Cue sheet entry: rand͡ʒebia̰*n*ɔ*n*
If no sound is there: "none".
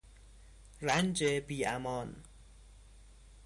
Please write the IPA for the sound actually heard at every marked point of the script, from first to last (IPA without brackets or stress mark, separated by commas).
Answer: m, n